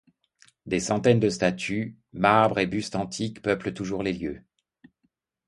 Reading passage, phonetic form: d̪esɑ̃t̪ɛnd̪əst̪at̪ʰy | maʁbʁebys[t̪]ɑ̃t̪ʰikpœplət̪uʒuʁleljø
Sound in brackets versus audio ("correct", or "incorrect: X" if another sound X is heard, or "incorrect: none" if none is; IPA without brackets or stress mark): correct